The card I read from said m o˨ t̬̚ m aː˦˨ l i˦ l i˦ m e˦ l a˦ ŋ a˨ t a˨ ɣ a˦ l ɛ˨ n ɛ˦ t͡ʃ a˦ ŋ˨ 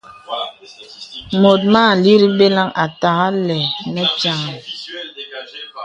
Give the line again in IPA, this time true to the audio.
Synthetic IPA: m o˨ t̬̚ m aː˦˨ l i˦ ɾ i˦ b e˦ l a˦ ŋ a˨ t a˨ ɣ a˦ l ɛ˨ n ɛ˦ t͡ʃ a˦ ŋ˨